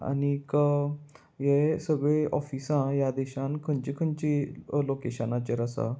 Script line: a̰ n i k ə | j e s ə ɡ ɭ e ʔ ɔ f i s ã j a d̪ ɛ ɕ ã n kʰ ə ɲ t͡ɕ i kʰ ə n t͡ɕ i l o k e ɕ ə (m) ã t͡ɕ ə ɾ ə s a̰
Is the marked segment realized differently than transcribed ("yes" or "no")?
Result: yes